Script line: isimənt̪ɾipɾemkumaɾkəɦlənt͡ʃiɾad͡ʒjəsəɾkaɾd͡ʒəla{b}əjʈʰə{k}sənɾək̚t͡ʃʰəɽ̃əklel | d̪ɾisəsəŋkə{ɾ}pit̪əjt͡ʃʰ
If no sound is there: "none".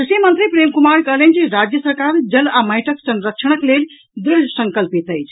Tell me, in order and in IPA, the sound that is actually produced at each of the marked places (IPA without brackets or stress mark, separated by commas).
m, k, l